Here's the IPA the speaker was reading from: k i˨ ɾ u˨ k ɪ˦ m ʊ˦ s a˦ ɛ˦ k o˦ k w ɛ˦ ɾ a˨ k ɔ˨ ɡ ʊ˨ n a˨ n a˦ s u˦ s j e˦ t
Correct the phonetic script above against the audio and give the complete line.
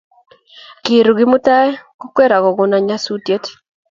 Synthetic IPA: k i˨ ɾ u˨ ɡ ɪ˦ m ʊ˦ t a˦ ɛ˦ k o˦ k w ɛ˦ ɾ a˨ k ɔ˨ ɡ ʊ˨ n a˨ ɲ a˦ s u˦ t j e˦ t